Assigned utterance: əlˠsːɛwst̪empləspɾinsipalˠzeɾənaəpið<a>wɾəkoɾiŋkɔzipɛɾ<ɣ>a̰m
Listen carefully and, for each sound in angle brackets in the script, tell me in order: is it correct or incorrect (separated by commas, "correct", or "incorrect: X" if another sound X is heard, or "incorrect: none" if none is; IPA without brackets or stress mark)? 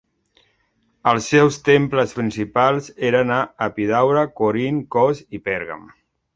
correct, correct